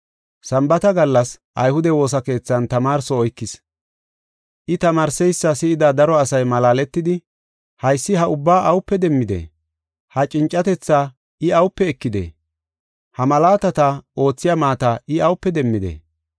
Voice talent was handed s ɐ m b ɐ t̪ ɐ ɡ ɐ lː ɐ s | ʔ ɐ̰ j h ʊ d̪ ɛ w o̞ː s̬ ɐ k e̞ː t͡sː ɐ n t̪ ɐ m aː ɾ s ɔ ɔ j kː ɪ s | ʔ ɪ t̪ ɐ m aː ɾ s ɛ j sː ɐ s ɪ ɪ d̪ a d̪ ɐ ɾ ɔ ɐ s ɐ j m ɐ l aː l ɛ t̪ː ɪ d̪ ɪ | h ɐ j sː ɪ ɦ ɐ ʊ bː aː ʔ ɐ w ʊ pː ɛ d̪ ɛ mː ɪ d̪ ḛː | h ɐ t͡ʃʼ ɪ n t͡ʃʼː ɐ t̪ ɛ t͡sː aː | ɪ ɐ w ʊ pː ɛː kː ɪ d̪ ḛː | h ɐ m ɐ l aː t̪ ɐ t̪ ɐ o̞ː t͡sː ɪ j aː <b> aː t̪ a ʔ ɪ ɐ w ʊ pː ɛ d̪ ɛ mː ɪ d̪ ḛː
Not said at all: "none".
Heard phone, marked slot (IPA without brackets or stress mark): m